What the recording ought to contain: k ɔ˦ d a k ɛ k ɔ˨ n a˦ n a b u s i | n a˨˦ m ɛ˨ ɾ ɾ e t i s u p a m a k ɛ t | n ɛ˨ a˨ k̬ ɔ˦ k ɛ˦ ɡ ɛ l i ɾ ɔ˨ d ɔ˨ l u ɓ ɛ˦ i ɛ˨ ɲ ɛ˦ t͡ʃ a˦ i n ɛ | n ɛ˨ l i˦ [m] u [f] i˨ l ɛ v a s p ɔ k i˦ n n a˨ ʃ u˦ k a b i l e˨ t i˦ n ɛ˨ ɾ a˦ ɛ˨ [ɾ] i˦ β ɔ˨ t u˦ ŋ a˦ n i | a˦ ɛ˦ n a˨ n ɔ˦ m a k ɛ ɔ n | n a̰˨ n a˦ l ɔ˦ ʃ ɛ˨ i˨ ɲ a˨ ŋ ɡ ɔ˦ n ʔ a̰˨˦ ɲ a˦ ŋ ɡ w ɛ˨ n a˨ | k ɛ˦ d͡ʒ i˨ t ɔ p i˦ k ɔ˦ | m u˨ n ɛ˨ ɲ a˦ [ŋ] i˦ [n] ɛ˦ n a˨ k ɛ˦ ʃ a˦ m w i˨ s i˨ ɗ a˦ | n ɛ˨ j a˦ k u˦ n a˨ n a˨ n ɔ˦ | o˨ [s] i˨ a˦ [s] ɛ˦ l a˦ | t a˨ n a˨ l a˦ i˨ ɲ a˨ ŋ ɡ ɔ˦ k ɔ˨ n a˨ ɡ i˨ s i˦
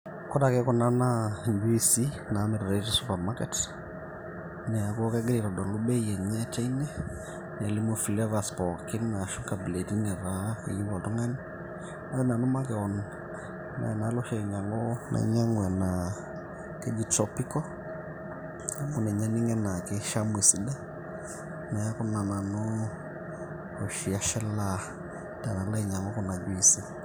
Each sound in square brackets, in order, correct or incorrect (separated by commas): correct, correct, incorrect, incorrect, incorrect, incorrect, incorrect